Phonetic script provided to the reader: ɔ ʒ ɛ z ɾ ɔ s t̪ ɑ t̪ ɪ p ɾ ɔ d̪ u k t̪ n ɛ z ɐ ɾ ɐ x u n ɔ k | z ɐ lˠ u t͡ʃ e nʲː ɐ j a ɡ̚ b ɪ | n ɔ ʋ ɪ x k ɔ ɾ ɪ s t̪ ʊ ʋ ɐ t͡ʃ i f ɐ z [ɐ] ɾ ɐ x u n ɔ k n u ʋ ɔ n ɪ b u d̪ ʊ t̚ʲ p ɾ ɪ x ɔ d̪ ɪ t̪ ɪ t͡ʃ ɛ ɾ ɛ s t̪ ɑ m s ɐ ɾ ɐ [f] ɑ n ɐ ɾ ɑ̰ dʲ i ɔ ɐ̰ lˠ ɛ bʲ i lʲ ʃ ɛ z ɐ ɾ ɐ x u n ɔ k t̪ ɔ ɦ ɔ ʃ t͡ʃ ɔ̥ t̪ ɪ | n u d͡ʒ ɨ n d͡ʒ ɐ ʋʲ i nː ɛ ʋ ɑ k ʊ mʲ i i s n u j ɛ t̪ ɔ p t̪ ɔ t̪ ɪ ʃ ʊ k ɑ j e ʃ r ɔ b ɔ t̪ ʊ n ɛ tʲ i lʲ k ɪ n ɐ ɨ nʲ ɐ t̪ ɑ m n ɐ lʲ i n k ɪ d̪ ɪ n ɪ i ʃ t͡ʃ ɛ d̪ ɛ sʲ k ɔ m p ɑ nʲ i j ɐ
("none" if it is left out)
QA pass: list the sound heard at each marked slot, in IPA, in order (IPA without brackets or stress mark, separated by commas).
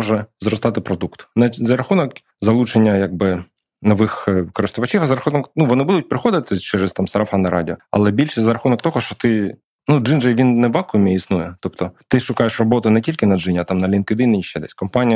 ɐ, f